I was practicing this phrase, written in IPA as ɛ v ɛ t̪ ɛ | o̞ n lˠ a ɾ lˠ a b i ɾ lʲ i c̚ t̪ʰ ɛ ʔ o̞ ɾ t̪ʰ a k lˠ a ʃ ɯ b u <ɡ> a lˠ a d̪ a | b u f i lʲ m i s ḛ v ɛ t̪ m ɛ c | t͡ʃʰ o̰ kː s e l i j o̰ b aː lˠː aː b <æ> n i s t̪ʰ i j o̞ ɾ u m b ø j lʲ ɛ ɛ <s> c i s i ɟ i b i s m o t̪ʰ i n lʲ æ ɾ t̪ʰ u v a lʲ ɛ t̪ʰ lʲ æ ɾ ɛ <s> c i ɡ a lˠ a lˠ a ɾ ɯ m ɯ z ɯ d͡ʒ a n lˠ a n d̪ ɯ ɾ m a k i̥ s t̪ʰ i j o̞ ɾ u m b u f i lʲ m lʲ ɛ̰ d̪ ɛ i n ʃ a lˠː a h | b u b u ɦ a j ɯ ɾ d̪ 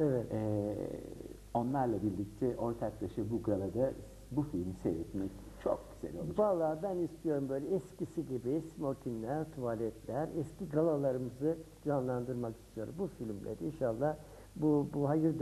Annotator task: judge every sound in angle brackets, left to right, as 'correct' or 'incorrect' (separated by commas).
correct, correct, correct, correct